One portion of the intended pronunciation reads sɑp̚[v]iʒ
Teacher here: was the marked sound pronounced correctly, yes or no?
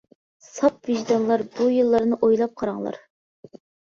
yes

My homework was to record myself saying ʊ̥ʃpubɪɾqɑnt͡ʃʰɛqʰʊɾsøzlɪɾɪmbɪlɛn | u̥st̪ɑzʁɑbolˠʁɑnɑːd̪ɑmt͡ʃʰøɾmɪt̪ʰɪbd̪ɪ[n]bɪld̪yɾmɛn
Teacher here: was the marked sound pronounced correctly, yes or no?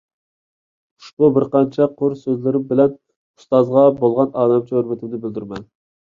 no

